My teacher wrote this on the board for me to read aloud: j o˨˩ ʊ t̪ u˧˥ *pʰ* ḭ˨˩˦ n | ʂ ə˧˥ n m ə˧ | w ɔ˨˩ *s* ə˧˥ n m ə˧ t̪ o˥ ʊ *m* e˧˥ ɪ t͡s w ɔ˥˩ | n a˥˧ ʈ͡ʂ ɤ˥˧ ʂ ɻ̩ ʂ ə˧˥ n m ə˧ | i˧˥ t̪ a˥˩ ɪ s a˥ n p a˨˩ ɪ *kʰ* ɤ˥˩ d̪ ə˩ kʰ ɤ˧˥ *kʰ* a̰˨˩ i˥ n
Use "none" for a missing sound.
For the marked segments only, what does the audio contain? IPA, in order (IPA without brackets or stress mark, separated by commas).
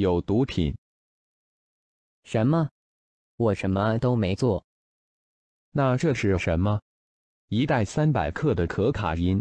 pʰ, ʂ, m, kʰ, kʰ